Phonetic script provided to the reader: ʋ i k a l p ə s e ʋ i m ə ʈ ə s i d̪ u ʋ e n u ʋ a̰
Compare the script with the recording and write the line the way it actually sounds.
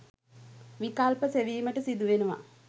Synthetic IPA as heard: ʋ i k a l p ə s e ʋ iː m ə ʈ ə s i d̪ u ʋ e n u ʋ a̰